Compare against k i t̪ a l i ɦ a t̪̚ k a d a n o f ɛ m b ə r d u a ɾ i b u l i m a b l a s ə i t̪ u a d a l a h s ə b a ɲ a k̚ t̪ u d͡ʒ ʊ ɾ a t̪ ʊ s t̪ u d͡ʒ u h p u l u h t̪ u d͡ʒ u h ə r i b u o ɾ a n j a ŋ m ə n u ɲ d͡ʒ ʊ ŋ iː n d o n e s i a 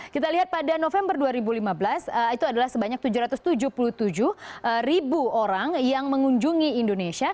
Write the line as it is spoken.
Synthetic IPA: k i t̪ a l i ɦ a t̪̚ p a d a n o f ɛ m b ə r d u a ɾ i b u l i m a b l a s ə i t̪ u a d a l a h s ə b a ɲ a k̚ t̪ u d͡ʒ u ɾ a t̪ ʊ s t̪ u d͡ʒ u h p u l u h t̪ u d͡ʒ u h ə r i b u o ɾ a ŋ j a ŋ m ə ŋ u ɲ d͡ʒ u ŋ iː n d o n e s i a